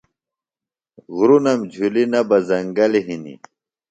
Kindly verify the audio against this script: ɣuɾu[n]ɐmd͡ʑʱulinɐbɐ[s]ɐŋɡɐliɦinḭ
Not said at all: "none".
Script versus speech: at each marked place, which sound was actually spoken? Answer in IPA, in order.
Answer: n, z

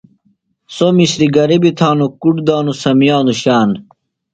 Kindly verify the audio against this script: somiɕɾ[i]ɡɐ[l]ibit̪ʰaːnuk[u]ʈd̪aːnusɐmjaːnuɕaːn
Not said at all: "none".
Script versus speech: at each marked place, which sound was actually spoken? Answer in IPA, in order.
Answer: i, ɾ, u

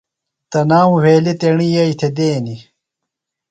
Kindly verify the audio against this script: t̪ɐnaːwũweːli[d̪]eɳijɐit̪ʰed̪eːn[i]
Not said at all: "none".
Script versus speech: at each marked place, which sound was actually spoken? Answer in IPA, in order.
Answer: t̪, i

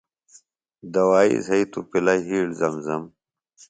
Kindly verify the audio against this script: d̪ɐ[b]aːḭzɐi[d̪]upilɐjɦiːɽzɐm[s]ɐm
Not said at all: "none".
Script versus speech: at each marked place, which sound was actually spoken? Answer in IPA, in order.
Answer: w, t̪, z

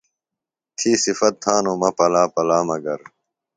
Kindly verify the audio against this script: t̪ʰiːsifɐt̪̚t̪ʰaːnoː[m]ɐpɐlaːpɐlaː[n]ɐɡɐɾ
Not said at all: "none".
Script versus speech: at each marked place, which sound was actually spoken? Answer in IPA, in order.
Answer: m, m

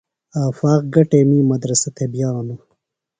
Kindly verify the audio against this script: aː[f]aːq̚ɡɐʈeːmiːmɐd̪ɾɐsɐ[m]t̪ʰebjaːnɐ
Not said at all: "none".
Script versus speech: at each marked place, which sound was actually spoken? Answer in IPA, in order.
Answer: f, none

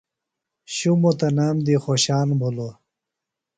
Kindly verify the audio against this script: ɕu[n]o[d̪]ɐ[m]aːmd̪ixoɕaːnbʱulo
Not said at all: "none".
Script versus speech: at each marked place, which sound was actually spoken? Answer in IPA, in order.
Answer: m, t̪, n

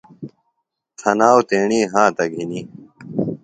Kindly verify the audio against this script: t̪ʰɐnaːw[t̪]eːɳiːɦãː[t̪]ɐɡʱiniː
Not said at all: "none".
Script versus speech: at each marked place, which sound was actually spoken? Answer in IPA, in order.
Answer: t̪, t̪

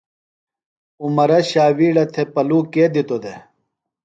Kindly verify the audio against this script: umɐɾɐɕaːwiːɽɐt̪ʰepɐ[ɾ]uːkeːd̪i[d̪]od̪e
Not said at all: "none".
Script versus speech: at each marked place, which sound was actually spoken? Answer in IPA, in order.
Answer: l, t̪

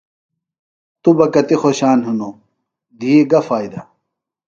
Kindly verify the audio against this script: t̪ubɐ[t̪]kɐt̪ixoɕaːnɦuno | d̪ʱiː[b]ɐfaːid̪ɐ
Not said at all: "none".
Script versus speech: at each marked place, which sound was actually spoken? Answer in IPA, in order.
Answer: none, ɡ

